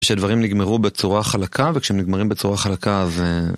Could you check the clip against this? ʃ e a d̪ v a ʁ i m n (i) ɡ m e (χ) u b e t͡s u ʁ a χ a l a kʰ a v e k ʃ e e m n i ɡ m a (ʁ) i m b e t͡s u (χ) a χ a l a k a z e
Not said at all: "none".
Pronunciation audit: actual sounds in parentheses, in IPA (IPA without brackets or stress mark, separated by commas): i, ʁ, ʁ, ʁ